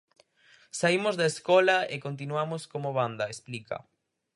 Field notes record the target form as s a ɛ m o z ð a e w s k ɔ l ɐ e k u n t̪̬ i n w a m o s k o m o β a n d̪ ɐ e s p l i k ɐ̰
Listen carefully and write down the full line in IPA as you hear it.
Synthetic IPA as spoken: s a i m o z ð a e s k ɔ l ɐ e k o n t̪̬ i n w a m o s k o m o β a n d̪ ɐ e s p l i k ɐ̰